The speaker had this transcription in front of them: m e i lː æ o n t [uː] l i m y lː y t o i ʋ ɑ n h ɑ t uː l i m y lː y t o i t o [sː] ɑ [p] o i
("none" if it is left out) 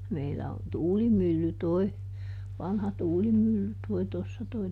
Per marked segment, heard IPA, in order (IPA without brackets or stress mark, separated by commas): uː, sː, t